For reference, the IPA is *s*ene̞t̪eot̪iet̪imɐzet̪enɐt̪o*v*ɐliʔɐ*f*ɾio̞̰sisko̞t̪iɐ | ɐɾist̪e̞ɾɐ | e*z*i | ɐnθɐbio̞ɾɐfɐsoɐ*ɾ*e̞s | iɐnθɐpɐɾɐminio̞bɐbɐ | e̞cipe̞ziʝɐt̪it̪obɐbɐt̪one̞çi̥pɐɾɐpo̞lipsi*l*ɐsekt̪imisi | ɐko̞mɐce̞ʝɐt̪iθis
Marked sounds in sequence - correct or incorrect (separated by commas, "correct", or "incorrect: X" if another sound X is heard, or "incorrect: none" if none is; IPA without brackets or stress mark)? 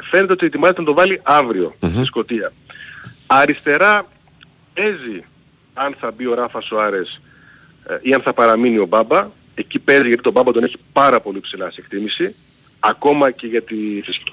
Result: incorrect: f, correct, incorrect: v, correct, correct, correct